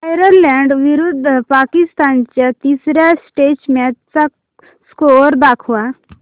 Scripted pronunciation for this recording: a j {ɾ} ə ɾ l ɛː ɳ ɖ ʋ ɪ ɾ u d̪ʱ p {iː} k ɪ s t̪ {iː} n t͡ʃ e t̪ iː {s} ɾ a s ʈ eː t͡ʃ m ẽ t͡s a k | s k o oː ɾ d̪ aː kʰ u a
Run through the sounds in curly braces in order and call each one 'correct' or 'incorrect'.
correct, incorrect: aː, incorrect: aː, correct

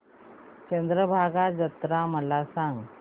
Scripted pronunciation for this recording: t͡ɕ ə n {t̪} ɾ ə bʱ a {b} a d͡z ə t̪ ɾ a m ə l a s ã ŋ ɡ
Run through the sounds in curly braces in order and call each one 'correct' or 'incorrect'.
incorrect: d̪, incorrect: ɡ

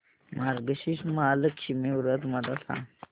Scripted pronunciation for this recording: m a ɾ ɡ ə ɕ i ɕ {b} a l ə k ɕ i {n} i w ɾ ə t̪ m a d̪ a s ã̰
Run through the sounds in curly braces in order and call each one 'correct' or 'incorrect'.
incorrect: m, incorrect: m

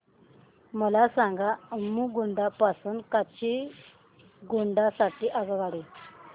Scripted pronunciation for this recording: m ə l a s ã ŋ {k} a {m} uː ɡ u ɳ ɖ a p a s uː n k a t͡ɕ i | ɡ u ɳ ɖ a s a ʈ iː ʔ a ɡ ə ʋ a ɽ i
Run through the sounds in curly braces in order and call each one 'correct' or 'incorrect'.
incorrect: ɡ, correct

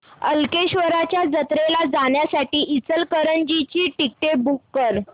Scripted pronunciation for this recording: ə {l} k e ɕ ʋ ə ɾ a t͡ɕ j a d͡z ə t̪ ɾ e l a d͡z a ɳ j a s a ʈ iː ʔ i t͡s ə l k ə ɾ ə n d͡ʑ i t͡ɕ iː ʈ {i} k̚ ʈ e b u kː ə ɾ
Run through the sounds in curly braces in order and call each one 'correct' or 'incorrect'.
correct, correct

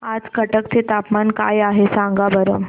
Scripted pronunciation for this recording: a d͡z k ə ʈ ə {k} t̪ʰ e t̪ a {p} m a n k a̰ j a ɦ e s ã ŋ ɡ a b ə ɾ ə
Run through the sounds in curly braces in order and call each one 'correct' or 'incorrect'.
correct, correct

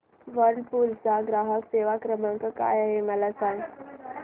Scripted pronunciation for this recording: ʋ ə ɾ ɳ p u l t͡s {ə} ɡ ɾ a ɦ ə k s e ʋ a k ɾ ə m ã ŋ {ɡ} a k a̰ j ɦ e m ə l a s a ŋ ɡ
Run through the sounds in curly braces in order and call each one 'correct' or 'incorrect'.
incorrect: a, incorrect: k

